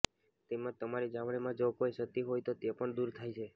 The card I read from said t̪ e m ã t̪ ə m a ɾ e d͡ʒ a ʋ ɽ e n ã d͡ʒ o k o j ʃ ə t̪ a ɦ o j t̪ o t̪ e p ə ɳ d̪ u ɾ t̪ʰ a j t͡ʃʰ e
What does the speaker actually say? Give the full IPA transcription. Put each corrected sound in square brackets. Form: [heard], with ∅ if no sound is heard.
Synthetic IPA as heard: t̪ e m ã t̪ ə m a ɾ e d͡ʒ a ʋ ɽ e [m] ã d͡ʒ o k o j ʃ ə t̪ [i] ɦ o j t̪ o t̪ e p ə ɳ d̪ u ɾ t̪ʰ a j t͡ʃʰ e

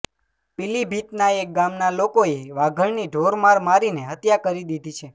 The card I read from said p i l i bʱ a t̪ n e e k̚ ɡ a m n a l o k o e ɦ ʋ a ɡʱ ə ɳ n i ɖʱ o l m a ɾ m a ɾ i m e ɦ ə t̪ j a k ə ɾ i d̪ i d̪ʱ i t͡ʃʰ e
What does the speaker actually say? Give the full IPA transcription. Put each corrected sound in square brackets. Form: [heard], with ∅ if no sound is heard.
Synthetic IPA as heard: p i l i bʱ [i] t̪ n [a] e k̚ ɡ a m n a l o k o e [∅] ʋ a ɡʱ ə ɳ n i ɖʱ o [ɾ] m a ɾ m a ɾ i [n] e ɦ ə t̪ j a k ə ɾ i d̪ i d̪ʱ i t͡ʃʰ e

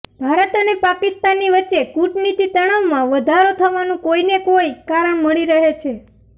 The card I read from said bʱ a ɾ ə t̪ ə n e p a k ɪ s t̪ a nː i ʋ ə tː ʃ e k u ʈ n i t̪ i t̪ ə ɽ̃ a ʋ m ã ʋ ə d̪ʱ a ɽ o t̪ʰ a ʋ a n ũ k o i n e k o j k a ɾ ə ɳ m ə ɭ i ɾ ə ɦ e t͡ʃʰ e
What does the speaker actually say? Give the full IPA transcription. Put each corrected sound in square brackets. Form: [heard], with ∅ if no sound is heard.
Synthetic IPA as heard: bʱ a ɾ ə t̪ ə n e p a k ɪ s t̪ a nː i ʋ ə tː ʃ e k u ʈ n i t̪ i t̪ ə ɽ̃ a ʋ m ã ʋ ə d̪ʱ a [ɾ] o t̪ʰ [ə] ʋ a n ũ k o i n e k o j k a ɾ ə ɳ m ə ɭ i ɾ ə ɦ e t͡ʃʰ e

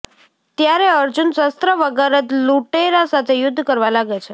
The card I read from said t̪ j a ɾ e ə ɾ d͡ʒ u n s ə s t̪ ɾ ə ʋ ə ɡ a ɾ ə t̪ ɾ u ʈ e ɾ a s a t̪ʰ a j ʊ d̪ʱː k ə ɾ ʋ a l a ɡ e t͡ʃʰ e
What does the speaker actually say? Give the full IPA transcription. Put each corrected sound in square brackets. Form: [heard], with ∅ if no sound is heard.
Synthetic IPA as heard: t̪ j a ɾ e ə ɾ d͡ʒ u n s ə s t̪ ɾ ə ʋ ə ɡ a ɾ ə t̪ [l] u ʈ e ɾ a s a t̪ʰ [e] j ʊ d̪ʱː k ə ɾ ʋ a l a ɡ e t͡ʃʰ e

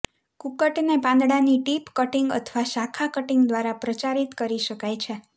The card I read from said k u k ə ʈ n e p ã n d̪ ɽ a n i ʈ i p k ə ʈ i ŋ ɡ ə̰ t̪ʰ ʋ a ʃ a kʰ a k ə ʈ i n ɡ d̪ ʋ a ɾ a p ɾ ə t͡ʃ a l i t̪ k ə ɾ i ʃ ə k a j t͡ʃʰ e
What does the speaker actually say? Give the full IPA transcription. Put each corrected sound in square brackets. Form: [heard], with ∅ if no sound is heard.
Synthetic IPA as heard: k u k ə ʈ n e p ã n d̪ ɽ a n i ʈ i p k ə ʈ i ŋ ɡ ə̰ t̪ʰ ʋ a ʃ a kʰ a k ə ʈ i [ŋ] ɡ d̪ ʋ a ɾ a p ɾ ə t͡ʃ a [ɾ] i t̪ k ə ɾ i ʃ ə k a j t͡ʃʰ e

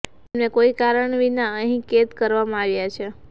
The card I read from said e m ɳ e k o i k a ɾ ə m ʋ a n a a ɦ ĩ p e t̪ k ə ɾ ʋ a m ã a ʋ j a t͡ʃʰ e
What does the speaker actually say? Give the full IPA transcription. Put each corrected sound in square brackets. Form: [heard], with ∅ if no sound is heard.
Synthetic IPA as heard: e m [n] e k o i k a ɾ ə [ɳ] ʋ [i] n a [ə] ɦ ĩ [k] e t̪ k ə ɾ ʋ a m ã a ʋ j a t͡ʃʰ e

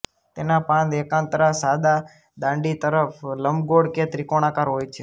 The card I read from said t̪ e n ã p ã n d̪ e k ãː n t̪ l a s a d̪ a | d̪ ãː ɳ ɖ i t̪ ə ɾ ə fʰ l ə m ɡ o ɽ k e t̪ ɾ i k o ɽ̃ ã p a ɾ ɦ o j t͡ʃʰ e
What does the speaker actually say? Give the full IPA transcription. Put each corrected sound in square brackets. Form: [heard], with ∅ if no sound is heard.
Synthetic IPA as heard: t̪ e n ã p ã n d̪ e k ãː n t̪ [ɾ] a s a d̪ a | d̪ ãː ɳ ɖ i t̪ ə ɾ ə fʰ l ə m ɡ o ɽ k e t̪ ɾ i k o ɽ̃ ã [k] a ɾ ɦ o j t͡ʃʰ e

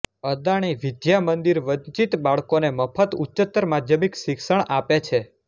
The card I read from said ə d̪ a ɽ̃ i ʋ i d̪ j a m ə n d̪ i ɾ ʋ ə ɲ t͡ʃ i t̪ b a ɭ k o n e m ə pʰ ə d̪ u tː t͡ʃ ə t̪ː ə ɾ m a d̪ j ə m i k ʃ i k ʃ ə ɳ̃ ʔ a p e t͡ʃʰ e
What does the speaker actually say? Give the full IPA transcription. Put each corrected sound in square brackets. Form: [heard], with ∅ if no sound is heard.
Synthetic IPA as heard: ə d̪ a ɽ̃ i ʋ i d̪ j a m ə n d̪ i ɾ ʋ ə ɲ t͡ʃ i t̪ b a ɭ k o n e m ə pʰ ə [t̪] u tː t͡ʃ ə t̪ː ə ɾ m a d̪ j ə m i k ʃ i k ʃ ə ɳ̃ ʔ a p e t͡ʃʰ e

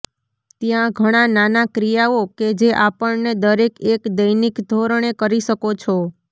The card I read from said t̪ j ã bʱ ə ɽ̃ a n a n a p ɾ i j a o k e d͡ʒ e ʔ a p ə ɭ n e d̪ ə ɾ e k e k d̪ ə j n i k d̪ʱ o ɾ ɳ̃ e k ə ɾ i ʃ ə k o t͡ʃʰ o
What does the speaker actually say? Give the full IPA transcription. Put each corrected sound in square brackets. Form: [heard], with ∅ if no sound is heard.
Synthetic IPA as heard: t̪ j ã [ɡʱ] ə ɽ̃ a n a n a [k] ɾ i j a o k e d͡ʒ e ʔ a p ə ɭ n e d̪ ə ɾ e k e k d̪ ə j n i k d̪ʱ o ɾ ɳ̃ e k ə ɾ i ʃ ə k o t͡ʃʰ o

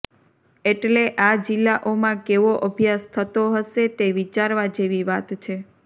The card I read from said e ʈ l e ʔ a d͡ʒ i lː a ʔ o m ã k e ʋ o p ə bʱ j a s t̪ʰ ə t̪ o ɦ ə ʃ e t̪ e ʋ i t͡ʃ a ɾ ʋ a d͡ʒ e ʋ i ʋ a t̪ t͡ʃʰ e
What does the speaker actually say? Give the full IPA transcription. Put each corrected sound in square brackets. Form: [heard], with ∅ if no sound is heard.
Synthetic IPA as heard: e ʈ l e ʔ a d͡ʒ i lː a ʔ o m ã k e ʋ o [ʔ] ə bʱ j a s t̪ʰ ə t̪ o ɦ ə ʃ e t̪ e ʋ i t͡ʃ a ɾ ʋ a d͡ʒ e ʋ i ʋ a t̪ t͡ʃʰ e

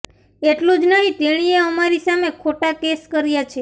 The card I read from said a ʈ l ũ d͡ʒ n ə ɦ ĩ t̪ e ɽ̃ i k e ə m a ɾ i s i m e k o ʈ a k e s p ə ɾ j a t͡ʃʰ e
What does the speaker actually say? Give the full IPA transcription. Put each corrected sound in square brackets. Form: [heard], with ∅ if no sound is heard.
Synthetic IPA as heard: [e] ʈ l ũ d͡ʒ n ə ɦ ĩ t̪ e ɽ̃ i [∅] e ə m a ɾ i s [a] m e [kʰ] o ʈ a k e s [k] ə ɾ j a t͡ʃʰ e

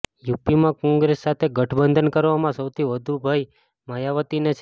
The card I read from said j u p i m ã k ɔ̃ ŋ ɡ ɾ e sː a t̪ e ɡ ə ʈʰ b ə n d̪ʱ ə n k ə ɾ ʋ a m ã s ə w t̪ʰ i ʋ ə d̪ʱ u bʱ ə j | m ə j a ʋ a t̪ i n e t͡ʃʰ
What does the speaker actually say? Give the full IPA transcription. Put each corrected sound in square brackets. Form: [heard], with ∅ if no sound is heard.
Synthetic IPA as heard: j u p i m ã k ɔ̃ ŋ ɡ ɾ e sː a [t̪ʰ] e ɡ ə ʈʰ b ə n d̪ʱ ə n k ə ɾ ʋ a m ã s ə w t̪ʰ i ʋ ə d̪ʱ u bʱ [a] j | m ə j a ʋ [ə] t̪ i n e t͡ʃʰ

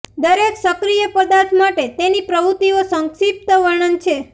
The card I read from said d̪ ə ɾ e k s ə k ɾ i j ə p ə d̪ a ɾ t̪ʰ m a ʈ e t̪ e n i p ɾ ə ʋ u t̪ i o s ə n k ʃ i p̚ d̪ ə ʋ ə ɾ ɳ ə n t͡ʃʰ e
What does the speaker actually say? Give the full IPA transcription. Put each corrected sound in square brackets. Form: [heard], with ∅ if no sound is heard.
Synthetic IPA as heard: d̪ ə ɾ e k s ə k ɾ i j ə p ə d̪ a ɾ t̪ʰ m a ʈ e t̪ e n i p ɾ ə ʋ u t̪ i o s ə [ŋ] k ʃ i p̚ [t̪] ə ʋ ə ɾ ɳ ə n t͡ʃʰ e

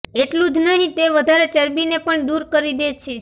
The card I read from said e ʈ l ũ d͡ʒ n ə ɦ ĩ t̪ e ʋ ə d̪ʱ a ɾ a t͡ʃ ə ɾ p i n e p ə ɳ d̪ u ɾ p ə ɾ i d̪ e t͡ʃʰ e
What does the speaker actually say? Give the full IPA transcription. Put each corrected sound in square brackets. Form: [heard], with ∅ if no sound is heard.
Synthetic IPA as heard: e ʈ l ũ d͡ʒ n ə ɦ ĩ t̪ e ʋ ə d̪ʱ a ɾ [e] t͡ʃ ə ɾ [b] i n e p ə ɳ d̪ u ɾ [k] ə ɾ i d̪ e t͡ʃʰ e

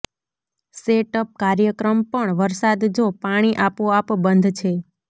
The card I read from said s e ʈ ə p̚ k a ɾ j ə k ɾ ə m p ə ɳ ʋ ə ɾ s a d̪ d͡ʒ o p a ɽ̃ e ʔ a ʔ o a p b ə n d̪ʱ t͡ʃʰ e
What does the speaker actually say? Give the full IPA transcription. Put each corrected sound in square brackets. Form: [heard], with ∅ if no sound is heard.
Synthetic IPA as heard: s e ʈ ə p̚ k a ɾ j ə k ɾ ə m p ə ɳ ʋ ə ɾ s a d̪ d͡ʒ o p a ɽ̃ [i] ʔ a [p] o a p b ə n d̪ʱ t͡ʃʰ e

